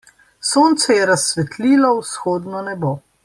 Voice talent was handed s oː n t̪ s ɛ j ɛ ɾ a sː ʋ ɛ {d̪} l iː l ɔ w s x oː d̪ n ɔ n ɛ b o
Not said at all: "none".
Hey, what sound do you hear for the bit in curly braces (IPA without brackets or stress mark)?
t̪